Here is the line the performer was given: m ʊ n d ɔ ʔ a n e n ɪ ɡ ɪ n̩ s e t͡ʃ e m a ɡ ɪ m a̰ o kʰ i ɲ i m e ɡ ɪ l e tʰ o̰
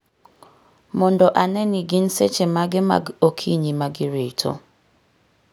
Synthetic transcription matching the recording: m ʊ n d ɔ ʔ a n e n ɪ ɡ ɪ n̩ s e t͡ʃ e m a ɡ ɪ m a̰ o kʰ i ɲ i m a ɡ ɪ ɾ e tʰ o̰

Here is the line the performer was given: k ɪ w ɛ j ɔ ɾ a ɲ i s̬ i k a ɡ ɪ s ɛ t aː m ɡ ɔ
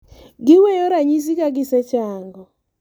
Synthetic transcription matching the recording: ɡ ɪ w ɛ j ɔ ɾ a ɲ i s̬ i k a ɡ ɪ s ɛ t͡ʃ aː ŋ ɡ ɔ

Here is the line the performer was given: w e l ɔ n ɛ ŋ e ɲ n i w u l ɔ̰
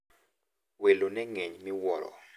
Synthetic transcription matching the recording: w e l o n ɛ ŋ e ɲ m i w ɔ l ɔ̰

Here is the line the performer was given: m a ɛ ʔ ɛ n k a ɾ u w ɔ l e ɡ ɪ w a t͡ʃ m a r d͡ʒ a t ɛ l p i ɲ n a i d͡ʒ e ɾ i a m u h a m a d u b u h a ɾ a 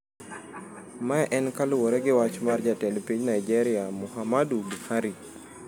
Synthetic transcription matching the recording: m a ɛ ʔ ɛ n k a l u w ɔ ɾ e ɡ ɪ w a t͡ʃ m a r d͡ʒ a t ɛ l p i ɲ n a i d͡ʒ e ɾ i a m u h a m a d u b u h a ɾ i

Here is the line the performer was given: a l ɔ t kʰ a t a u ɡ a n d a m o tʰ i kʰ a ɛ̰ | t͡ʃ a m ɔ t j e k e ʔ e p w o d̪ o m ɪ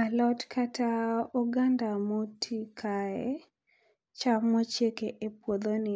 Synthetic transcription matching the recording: a l ɔ t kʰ a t a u ɡ a n d a m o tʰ i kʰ a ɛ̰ | t͡ʃ a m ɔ t͡ʃ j e k e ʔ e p w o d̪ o n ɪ

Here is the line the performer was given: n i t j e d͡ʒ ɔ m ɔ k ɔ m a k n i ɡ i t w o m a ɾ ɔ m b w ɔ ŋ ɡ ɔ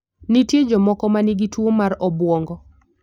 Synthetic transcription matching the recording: n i t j e d͡ʒ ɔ m ɔ k ɔ m a n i ɡ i t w o m a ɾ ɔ b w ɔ ŋ ɡ ɔ

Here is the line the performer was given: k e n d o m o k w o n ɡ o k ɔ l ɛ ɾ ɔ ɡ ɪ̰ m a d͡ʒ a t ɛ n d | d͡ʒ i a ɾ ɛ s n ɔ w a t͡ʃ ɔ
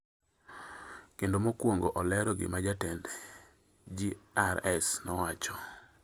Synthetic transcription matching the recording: k e n d o m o k w o ŋ ɡ o ʔ ɔ l ɛ ɾ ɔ ɡ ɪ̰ m a d͡ʒ a t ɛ n d | d͡ʒ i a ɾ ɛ s n ɔ w a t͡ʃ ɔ

